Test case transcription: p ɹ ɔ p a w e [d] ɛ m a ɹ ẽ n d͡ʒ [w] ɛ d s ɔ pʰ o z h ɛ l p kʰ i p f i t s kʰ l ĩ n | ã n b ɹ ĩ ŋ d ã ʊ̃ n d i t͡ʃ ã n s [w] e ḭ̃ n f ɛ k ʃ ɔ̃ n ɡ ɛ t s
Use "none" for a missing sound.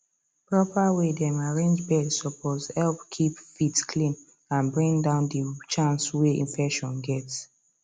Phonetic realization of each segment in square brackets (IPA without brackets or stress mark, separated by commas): d, b, w